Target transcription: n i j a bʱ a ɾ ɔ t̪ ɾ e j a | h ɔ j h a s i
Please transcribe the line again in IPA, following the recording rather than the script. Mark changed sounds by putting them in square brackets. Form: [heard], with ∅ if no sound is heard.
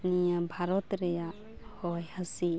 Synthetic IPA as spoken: n i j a bʱ a ɾ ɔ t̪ ɾ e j a | h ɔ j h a s i

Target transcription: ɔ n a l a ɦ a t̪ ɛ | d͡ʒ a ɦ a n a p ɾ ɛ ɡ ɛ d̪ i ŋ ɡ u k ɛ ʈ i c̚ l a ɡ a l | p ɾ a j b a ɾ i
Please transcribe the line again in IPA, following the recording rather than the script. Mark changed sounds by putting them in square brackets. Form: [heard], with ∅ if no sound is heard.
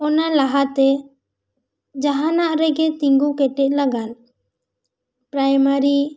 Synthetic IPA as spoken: ɔ n a l a ɦ a t̪ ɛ | d͡ʒ a ɦ a n a [ʔ] ɾ ɛ ɡ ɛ [t̪] i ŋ ɡ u k ɛ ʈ [ɛ] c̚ l a ɡ a l | p ɾ a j [m] a ɾ i

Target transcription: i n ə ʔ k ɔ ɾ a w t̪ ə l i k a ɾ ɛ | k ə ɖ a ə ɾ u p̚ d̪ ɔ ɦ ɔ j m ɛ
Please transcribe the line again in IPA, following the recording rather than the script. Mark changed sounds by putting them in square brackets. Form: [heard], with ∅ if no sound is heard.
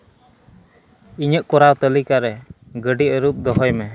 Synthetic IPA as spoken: i [ɲ] ə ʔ k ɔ ɾ a w t̪ ə l i k a ɾ ɛ | [ɡ] ə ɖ [i] ə ɾ u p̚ d̪ ɔ ɦ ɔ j m ɛ

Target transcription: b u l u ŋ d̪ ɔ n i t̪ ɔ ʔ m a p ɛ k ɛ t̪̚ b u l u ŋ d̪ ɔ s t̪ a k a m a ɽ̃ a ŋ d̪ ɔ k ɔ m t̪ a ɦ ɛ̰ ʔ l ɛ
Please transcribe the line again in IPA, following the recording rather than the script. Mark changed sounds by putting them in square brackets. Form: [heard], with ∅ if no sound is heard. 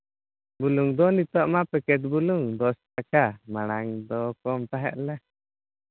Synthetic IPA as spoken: b u l u ŋ d̪ ɔ n i t̪ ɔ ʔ m a p ɛ k ɛ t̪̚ b u l u ŋ d̪ ɔ s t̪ a k a m a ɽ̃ a ŋ d̪ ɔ k ɔ m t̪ a ɦ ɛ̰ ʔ l ɛ

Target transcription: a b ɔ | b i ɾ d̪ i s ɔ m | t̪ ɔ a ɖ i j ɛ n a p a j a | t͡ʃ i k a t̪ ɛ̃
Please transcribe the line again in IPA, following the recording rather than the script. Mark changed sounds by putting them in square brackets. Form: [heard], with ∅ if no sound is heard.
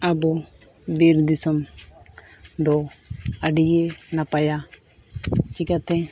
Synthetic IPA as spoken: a b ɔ | b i ɾ d̪ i s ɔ m | [d̪] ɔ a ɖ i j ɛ n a p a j a | t͡ʃ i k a t̪ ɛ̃

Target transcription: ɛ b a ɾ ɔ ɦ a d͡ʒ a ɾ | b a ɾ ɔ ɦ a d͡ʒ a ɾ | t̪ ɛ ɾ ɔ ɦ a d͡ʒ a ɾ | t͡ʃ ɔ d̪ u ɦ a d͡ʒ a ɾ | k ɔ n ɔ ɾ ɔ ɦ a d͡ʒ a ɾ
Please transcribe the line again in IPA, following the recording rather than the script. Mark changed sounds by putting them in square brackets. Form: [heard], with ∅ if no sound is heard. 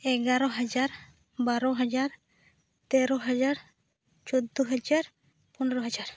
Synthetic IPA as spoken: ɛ [ɡ] a ɾ ɔ ɦ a d͡ʒ a ɾ | b a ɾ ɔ ɦ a d͡ʒ a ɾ | t̪ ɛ ɾ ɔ ɦ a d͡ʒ a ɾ | t͡ʃ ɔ d̪ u ɦ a d͡ʒ a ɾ | [p] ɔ n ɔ ɾ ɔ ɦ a d͡ʒ a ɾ

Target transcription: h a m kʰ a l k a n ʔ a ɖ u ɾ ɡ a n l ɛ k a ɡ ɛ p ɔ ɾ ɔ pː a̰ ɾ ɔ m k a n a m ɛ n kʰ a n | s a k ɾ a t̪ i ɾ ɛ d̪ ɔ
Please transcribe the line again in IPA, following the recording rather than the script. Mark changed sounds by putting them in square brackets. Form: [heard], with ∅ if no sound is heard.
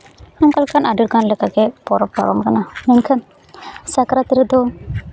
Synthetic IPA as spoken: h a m [k] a l k a n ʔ a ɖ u ɾ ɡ a n l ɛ k a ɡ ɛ p ɔ ɾ ɔ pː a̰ ɾ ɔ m k a n a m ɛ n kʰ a n | s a k ɾ a t̪ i ɾ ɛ d̪ ɔ

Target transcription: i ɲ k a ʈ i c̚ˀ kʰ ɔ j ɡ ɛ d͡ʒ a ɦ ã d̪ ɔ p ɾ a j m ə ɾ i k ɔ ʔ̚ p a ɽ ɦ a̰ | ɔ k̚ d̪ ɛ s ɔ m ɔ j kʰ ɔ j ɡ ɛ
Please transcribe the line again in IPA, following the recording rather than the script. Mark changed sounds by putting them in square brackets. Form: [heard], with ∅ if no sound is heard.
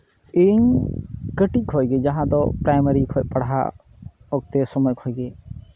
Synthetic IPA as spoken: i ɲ k [ə] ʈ i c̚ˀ kʰ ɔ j ɡ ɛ d͡ʒ a ɦ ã d̪ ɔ p ɾ a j m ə ɾ i [kʰ] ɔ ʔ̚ p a ɽ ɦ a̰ | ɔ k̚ [t̪] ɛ s ɔ m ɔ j kʰ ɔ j ɡ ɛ

